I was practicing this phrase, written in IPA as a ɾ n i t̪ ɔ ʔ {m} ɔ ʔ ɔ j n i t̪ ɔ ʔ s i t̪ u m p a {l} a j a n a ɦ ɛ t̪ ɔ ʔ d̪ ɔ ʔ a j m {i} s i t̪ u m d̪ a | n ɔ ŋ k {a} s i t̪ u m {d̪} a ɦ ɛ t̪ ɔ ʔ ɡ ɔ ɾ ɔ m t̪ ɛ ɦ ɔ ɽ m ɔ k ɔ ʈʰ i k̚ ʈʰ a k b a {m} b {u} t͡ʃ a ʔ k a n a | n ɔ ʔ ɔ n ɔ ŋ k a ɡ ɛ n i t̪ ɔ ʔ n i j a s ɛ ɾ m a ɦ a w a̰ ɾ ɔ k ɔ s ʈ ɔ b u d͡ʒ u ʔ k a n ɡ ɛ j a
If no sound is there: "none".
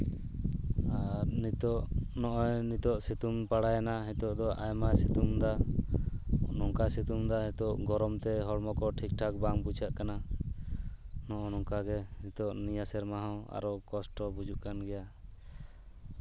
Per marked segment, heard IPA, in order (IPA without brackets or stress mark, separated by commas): n, ɽ, a, a, d̪, ŋ, u